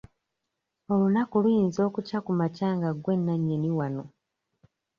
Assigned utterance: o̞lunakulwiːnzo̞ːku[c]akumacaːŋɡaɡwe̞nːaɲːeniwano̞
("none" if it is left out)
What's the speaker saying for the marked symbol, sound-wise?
c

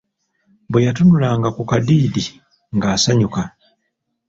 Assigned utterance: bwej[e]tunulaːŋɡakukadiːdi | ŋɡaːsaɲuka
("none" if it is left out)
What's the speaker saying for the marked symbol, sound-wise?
a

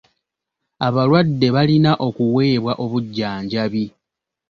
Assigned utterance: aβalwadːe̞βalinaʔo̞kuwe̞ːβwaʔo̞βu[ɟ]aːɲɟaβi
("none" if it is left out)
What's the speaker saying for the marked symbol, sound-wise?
ɟː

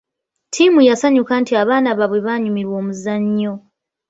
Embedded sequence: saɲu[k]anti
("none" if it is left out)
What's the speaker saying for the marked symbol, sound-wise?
k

